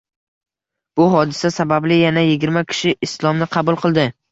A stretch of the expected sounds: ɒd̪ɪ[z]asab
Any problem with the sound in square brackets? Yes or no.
yes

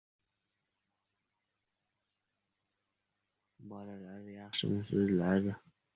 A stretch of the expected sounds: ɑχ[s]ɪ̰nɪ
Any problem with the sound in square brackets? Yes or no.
yes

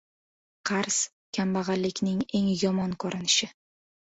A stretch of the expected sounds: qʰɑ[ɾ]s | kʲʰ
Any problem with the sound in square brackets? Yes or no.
no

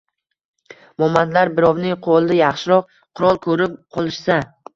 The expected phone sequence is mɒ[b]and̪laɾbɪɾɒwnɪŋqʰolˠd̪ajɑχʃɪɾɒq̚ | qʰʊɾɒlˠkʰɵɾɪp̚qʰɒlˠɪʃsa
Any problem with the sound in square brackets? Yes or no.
yes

